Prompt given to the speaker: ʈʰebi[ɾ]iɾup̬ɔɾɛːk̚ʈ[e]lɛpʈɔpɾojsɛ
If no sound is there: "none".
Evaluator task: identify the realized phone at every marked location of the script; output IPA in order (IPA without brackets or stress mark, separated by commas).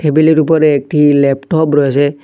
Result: l, i